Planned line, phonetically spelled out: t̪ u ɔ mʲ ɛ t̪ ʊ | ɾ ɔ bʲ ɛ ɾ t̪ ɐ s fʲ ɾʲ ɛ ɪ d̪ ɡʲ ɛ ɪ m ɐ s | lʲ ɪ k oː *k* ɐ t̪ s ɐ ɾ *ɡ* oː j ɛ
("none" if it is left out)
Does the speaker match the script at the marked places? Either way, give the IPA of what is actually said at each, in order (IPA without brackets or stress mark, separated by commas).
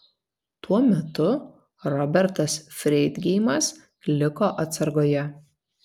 ʔ, ɡ